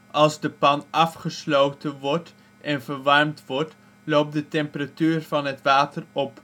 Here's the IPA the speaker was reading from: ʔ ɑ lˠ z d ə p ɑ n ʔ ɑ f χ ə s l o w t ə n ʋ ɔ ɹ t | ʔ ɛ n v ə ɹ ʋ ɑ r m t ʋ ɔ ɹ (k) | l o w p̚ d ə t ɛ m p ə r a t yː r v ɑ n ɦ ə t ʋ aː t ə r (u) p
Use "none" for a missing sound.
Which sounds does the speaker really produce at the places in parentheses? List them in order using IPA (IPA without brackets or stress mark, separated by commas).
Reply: t, ɔ